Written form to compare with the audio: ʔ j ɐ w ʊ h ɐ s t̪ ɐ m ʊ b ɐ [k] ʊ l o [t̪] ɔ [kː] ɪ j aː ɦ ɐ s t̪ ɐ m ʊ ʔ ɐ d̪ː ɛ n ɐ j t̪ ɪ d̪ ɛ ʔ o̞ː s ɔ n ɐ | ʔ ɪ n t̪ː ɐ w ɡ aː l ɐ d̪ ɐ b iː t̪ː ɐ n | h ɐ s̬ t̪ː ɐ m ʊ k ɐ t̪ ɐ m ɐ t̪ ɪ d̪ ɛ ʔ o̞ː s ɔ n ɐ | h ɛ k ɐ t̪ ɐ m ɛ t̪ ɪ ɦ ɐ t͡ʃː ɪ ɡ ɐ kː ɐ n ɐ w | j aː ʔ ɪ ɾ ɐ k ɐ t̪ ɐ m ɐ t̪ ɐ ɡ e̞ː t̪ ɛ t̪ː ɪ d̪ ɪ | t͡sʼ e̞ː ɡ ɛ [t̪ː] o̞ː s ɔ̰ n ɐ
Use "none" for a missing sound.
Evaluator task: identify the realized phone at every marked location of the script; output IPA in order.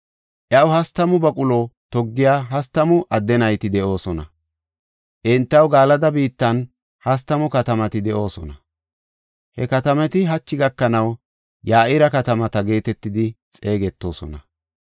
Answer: kʼ, t̪, ɡː, t̪ː

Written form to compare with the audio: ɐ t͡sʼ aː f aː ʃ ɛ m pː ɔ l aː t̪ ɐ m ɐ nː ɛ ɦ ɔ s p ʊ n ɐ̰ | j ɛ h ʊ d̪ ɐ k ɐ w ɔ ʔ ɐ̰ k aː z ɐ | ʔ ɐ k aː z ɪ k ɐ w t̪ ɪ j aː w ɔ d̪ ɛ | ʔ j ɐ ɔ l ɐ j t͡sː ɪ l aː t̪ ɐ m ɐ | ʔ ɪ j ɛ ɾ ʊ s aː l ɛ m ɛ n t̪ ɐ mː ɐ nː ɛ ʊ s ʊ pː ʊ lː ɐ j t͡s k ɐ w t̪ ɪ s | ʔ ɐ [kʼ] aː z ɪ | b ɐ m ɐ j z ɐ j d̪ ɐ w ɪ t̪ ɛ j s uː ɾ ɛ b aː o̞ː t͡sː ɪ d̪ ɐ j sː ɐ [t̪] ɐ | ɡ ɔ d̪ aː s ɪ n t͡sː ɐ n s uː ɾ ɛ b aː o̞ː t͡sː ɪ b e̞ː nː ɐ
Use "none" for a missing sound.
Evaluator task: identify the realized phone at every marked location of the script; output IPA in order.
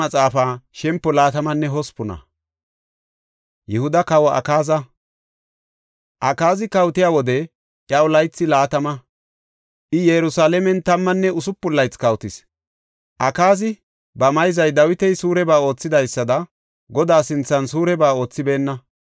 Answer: k, d̪

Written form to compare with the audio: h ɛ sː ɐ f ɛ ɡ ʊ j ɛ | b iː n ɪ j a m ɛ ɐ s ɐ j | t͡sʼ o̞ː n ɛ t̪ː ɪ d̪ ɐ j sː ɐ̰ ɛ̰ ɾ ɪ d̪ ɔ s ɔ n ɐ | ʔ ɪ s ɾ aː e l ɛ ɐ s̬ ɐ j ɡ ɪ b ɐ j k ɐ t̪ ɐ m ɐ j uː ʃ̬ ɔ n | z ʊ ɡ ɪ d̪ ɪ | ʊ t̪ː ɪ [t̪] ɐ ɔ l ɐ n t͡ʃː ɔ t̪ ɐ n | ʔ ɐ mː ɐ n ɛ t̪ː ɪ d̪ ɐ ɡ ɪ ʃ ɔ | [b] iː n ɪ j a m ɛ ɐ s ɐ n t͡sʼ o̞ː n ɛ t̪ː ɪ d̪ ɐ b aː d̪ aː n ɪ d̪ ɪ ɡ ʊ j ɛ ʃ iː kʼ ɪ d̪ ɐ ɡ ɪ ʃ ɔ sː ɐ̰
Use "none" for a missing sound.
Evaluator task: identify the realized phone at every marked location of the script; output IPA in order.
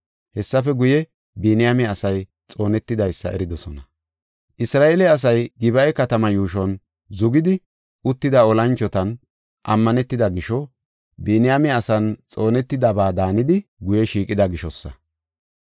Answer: d̪, b

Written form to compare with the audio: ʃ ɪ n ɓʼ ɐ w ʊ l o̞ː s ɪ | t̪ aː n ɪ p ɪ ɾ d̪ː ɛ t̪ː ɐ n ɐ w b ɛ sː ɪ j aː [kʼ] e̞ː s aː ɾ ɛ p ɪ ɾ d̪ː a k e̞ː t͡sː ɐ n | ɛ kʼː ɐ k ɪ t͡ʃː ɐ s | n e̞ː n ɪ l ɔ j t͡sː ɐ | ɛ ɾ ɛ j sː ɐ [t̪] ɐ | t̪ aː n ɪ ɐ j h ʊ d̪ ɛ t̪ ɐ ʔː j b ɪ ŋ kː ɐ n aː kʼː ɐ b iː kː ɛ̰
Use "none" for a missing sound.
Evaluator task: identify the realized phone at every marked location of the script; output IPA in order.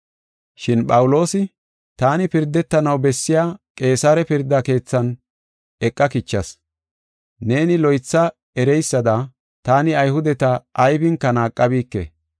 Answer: kʼ, d̪

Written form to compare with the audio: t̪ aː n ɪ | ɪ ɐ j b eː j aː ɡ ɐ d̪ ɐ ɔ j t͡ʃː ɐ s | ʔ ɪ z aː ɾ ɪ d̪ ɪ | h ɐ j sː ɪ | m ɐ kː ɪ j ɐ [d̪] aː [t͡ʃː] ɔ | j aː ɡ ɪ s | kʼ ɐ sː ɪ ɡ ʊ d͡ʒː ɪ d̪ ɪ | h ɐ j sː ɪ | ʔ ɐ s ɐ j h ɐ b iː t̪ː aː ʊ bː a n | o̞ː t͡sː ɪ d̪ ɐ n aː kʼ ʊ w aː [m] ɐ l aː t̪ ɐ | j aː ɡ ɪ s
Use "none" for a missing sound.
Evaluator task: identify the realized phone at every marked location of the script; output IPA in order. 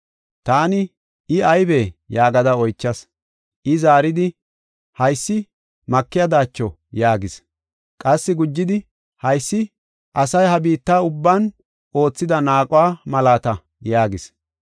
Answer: d̪, t͡ʃː, m

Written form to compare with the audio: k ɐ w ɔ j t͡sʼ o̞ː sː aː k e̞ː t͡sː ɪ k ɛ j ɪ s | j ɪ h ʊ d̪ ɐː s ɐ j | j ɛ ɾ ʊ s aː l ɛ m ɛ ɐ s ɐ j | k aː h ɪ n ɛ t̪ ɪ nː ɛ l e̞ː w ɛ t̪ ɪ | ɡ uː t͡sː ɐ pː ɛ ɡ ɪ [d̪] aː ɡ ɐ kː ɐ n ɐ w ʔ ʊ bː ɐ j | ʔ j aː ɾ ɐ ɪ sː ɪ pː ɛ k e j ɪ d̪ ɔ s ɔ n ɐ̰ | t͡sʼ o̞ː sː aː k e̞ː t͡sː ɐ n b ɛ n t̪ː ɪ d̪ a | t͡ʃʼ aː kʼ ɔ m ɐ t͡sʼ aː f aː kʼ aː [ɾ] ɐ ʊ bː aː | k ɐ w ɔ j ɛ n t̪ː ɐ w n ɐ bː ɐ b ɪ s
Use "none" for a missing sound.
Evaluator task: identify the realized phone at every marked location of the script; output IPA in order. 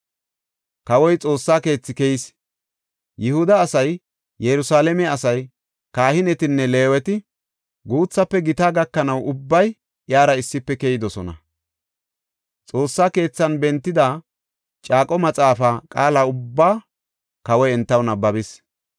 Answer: t̪, l

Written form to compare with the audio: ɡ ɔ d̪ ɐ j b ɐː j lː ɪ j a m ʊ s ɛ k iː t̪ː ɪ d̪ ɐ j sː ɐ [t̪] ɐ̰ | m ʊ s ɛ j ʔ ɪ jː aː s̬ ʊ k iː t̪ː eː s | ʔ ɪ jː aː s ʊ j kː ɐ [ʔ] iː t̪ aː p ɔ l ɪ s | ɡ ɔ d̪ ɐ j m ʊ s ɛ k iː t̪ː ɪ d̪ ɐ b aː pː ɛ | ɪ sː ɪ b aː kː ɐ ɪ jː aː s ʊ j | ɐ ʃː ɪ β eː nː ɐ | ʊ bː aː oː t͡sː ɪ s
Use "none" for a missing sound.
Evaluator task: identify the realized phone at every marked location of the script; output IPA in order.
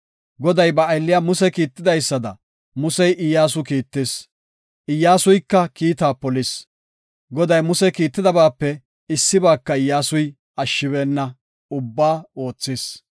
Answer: d̪, k

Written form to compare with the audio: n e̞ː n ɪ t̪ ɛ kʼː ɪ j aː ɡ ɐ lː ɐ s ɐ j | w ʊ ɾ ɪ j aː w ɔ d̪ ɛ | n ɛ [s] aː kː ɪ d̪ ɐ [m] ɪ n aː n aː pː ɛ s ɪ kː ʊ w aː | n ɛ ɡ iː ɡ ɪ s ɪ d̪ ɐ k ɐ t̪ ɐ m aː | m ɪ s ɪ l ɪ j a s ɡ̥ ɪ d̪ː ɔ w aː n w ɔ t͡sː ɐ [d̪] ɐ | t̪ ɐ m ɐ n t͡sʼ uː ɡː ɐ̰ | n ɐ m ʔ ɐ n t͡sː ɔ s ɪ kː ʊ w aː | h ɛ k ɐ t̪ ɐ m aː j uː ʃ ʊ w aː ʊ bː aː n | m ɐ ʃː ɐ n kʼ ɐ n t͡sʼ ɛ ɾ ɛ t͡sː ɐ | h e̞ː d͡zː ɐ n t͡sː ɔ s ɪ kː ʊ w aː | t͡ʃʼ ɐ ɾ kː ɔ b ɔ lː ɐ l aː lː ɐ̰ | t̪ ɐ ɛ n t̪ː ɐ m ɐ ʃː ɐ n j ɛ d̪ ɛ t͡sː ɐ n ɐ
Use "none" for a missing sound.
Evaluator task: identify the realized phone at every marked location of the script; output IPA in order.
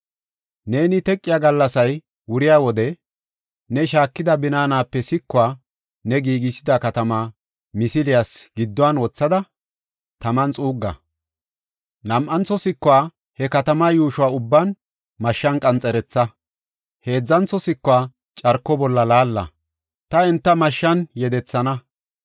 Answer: ʃ, b, d̪

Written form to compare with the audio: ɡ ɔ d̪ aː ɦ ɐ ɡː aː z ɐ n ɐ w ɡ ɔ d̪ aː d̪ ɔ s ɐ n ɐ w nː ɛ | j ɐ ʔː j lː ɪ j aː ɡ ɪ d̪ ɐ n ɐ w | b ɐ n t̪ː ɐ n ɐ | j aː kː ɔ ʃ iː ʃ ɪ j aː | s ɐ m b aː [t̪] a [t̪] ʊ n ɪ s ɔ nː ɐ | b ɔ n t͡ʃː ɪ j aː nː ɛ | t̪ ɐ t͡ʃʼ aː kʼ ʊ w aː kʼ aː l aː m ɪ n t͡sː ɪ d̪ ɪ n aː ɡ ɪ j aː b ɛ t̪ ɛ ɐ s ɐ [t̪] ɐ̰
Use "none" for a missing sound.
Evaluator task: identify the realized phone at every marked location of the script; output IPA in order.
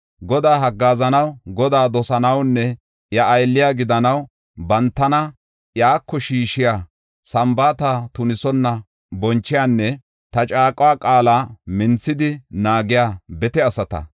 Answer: t̪, t̪, t̪

